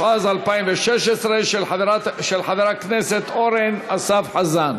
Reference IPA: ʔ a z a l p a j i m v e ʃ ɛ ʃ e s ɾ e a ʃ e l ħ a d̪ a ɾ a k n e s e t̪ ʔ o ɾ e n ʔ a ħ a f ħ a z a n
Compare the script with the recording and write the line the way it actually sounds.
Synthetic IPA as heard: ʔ a z a l p a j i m v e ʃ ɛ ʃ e s ɾ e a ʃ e l ħ a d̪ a ɾ a k n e s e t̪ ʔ o ɾ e n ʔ a s a f ħ a z a n

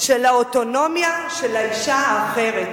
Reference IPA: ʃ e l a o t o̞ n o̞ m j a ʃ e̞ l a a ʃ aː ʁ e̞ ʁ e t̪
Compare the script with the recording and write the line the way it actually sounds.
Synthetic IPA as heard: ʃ e l a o t o̞ n o̞ m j a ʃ e̞ l a i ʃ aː χ e̞ ʁ e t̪

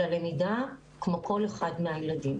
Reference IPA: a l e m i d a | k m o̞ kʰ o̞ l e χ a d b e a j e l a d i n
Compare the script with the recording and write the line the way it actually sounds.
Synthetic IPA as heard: a l e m i d a | k m o̞ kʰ o̞ l e χ a d m e a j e l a d i m

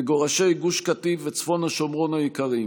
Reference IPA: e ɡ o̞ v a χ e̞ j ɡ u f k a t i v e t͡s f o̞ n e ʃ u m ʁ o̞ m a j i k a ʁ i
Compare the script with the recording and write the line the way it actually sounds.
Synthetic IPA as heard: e ɡ o̞ ʁ a ʃ e̞ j ɡ u ʃ k a t i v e t͡s f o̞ n a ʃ o m ʁ o̞ n a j i k a ʁ i

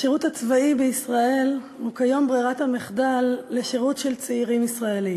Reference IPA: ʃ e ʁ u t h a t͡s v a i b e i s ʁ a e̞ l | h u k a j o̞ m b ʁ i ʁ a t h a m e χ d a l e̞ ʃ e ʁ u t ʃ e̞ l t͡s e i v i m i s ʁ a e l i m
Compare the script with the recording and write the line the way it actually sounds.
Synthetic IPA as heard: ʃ e ʁ u t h a t͡s v a i b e i s ʁ a e̞ l | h u k a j o̞ m b ʁ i ʁ a t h a m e χ d a lː e̞ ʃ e ʁ u t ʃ e̞ l t͡s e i ʁ i m i s ʁ a e l i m

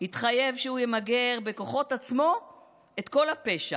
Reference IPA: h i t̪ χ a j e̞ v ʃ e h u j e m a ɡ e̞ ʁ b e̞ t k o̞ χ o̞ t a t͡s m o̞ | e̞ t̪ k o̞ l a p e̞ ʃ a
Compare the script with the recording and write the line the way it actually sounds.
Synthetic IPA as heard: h i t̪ χ a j e̞ v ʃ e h u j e m a ɡ e̞ ʁ b e̞ k o̞ χ o̞ t a t͡s m o̞ | e̞ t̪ k o̞ l a p e̞ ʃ a

